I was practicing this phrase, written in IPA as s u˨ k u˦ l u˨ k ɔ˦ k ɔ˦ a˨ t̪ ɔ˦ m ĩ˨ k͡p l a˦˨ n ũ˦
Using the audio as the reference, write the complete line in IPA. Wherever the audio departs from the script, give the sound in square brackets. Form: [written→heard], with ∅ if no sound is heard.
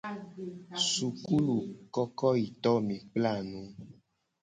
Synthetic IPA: s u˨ k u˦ l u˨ k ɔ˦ k ɔ˦ [a˨→i˨] t̪ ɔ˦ m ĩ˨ k͡p l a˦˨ n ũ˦